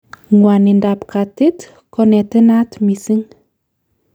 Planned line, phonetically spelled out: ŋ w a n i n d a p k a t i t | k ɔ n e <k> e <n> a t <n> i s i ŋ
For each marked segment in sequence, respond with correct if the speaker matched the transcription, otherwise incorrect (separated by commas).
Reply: incorrect, correct, incorrect